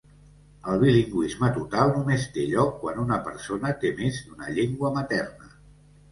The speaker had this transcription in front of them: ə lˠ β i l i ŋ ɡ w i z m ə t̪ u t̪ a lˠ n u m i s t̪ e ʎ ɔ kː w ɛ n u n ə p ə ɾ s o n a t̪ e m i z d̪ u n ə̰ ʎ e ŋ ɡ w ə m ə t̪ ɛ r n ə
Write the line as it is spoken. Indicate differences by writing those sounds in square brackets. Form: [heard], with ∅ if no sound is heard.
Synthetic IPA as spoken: ə lˠ β i l i ŋ ɡ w i z m ə t̪ u t̪ a lˠ n u m [e] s t̪ e ʎ ɔ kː w [a] n u n ə p ə ɾ s o n [ə] t̪ e m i z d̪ u n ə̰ ʎ e ŋ ɡ w ə m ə t̪ ɛ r n ə